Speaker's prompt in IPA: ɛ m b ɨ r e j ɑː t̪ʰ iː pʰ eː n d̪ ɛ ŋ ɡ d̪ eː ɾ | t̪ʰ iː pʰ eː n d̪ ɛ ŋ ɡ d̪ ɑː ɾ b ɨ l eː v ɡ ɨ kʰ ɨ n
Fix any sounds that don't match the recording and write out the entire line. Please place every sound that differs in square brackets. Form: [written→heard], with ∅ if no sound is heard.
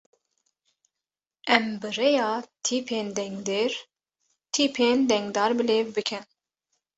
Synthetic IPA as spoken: ɛ m b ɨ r e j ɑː t̪ʰ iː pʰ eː n d̪ ɛ ŋ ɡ d̪ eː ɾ | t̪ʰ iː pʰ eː n d̪ ɛ ŋ ɡ d̪ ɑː ɾ b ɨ l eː v [ɡ→b] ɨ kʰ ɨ n